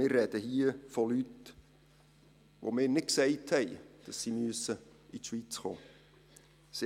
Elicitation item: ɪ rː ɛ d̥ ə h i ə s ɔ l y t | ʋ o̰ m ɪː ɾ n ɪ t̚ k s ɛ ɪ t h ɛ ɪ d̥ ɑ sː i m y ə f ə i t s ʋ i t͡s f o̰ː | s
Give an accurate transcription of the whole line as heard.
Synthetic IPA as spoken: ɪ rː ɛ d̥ ə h i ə f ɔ l y t | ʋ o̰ m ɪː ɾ n ɪ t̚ k s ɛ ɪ t h ɛ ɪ d̥ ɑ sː i m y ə s ə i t ʃ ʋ i t͡s χ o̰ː | s